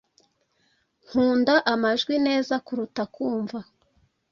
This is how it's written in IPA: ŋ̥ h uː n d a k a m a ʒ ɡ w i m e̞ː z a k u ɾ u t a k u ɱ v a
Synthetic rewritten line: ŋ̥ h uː n d a ʔ a m a ʒ ɡ w i n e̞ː z a k u ɾ u t a k uː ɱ v a